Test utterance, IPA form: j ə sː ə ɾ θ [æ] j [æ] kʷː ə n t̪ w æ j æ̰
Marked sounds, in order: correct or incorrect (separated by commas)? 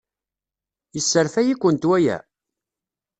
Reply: correct, incorrect